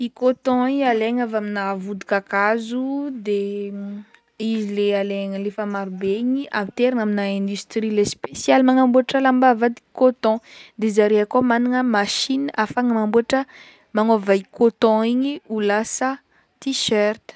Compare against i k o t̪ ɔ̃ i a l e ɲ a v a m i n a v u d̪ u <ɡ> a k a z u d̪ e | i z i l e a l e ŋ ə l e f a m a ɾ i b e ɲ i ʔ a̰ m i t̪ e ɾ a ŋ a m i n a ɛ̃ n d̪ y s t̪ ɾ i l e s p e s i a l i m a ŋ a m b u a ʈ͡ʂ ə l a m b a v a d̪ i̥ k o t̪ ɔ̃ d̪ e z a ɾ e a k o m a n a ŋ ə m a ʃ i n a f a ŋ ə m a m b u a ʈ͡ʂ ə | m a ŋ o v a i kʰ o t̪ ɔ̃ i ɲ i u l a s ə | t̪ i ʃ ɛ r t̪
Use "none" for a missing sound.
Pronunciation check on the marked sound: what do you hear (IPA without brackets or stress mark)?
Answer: k